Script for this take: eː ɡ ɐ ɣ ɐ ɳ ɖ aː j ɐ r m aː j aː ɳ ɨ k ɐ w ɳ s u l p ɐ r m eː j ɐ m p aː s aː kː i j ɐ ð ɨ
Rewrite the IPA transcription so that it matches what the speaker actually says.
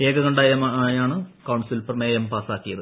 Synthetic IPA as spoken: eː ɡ ɐ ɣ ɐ ɳ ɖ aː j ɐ m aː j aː ɳ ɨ k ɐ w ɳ s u l p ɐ r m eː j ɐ m p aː s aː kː i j ɐ ð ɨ